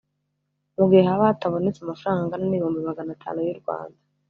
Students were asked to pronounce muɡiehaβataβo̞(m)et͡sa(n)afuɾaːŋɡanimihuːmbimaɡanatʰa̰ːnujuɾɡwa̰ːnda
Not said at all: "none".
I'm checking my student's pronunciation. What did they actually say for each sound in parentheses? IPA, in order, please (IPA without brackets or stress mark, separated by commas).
n, m